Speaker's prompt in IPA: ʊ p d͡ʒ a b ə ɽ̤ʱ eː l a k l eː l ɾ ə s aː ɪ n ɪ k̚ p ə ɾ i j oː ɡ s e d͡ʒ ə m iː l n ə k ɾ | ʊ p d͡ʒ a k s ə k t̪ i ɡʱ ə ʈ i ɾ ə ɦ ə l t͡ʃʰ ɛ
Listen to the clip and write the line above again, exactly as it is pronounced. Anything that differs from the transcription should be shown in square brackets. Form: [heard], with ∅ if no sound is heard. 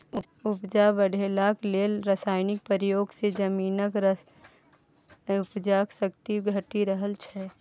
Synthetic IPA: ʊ p d͡ʒ a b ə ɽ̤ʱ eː l a k l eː l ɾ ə s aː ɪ n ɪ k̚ p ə ɾ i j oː ɡ s e d͡ʒ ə m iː [∅] n ə k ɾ | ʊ p d͡ʒ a k s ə k t̪ i ɡʱ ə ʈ i ɾ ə ɦ ə l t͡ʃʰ ɛ